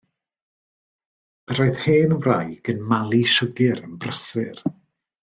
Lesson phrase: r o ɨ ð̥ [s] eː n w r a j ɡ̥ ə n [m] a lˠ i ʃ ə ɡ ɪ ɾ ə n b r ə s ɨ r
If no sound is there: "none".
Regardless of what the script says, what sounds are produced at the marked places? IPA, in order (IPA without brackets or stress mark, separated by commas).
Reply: h, m